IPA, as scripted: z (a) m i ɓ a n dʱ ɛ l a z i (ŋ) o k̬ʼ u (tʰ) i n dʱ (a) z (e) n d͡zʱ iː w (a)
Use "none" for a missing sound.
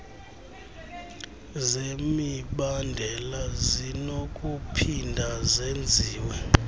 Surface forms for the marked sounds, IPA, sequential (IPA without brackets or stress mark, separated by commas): e, n, pʰ, a, e, ɛ